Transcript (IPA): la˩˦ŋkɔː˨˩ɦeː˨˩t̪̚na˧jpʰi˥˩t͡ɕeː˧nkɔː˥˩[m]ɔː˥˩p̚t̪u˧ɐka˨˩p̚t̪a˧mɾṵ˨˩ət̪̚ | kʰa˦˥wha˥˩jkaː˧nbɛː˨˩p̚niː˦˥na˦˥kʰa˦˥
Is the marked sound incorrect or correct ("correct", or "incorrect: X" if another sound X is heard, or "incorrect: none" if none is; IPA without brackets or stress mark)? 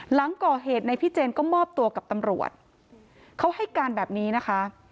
correct